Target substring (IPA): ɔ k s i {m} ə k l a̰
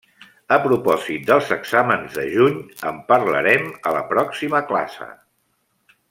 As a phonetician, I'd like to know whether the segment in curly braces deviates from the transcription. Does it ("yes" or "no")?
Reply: no